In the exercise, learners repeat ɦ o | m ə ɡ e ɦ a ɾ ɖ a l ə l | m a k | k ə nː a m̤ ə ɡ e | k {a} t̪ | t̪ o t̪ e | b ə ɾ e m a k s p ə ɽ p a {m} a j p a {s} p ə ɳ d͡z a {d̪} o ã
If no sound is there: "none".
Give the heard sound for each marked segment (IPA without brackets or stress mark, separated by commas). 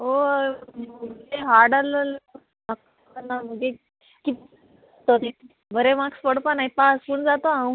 i, n, s, t̪